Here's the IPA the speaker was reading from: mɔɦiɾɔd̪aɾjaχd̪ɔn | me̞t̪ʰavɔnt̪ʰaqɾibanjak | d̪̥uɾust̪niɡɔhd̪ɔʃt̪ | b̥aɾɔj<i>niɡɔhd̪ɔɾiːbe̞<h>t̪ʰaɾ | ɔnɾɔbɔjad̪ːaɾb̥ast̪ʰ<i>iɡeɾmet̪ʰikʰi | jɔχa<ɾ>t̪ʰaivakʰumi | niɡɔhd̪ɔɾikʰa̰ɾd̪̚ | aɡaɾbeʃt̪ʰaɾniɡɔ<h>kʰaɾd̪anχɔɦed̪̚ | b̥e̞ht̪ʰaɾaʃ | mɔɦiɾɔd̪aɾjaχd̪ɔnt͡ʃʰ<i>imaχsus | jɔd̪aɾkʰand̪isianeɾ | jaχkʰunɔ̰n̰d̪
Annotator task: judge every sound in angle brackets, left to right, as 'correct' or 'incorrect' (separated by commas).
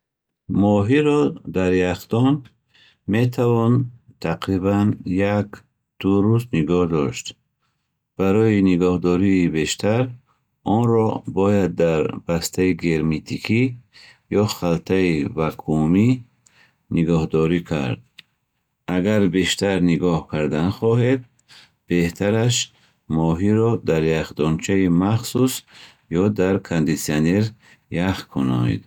correct, incorrect, incorrect, incorrect, correct, incorrect